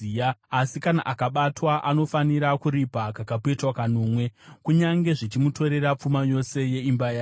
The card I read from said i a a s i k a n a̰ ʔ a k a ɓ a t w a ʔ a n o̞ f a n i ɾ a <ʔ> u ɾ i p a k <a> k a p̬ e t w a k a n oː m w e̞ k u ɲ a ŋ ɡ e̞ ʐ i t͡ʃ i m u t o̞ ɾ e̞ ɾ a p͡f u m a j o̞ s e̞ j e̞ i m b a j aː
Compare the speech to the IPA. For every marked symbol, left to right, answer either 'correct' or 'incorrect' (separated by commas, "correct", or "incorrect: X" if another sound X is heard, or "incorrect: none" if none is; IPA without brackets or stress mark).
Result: incorrect: k, correct